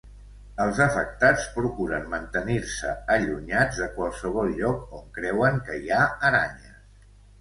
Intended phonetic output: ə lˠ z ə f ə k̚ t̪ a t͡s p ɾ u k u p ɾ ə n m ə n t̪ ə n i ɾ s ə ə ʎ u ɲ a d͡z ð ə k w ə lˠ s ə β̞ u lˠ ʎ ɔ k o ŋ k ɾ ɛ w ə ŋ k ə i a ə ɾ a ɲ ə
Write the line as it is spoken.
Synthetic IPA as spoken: ə lˠ z ə f ə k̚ t̪ a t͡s p ɾ u k u ɾ ə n m ə n t̪ ə n i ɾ s ə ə ʎ u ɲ a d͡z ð ə k w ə lˠ s ə β̞ ɔ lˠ ʎ ɔ k o ŋ k ɾ ɛ w ə ŋ k ə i a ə ɾ a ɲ ə